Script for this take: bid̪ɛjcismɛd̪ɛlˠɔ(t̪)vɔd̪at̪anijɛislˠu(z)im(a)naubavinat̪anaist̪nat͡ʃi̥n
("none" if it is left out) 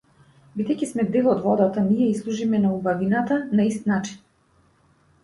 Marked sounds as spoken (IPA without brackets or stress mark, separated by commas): d̪, ʒ, ɛ